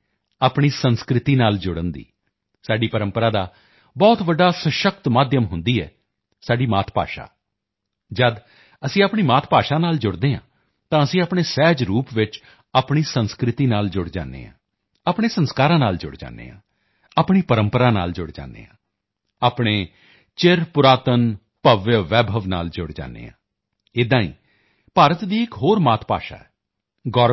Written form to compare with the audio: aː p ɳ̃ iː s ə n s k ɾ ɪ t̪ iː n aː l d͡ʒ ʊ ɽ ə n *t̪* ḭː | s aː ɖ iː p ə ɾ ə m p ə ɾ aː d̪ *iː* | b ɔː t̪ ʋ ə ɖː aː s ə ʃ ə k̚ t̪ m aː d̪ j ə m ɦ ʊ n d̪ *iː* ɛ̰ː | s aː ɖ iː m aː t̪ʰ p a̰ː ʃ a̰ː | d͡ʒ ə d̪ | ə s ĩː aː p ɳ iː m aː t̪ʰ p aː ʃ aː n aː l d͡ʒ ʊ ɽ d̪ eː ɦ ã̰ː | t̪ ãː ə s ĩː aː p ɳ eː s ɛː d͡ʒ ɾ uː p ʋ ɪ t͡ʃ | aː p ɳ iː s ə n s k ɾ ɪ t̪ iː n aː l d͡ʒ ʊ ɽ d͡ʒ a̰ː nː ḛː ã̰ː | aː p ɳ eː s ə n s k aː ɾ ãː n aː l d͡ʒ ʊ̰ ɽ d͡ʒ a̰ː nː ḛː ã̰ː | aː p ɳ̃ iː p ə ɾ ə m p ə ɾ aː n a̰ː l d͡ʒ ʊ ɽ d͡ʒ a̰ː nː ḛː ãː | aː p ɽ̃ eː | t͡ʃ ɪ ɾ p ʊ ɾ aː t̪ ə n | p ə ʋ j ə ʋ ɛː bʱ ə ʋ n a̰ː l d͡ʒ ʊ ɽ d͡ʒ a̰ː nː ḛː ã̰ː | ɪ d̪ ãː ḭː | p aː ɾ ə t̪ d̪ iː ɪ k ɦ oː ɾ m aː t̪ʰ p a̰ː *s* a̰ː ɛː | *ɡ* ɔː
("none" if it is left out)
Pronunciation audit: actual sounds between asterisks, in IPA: d̪, aː, iː, ʃ, ɡ

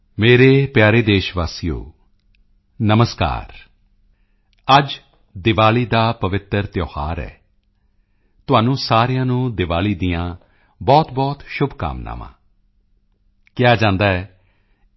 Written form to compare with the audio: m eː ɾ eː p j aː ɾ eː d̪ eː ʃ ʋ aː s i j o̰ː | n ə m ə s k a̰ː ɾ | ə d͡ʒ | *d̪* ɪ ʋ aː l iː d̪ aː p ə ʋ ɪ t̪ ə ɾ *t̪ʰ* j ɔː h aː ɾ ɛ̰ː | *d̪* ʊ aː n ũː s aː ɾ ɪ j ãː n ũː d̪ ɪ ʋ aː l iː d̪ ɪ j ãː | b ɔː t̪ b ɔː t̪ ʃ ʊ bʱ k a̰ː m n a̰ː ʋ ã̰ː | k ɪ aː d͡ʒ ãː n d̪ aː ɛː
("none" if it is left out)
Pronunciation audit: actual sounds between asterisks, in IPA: d̪, t̪, t̪

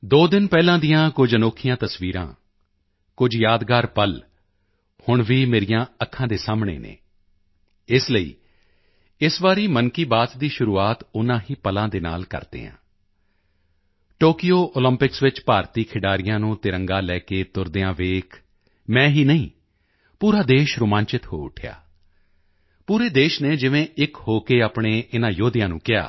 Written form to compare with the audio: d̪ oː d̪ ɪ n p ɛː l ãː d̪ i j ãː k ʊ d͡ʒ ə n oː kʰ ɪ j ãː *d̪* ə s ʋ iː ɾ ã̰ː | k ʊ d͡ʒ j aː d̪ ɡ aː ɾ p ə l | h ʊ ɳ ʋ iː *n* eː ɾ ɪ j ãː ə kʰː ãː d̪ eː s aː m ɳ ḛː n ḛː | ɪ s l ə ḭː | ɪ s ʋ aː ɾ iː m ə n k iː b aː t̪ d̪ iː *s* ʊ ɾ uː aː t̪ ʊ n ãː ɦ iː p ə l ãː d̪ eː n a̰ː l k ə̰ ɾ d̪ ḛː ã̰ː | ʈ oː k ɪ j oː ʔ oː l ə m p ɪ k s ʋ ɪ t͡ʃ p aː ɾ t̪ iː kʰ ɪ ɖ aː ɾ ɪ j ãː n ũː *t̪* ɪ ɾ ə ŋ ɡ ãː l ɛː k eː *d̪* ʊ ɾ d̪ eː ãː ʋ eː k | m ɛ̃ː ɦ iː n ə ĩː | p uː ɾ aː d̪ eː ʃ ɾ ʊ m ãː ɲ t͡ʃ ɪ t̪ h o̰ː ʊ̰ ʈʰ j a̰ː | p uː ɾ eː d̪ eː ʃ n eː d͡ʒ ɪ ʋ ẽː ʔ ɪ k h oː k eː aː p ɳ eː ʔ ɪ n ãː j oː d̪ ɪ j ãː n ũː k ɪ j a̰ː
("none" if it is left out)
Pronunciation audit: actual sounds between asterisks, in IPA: t̪, m, ʃ, t̪, t̪

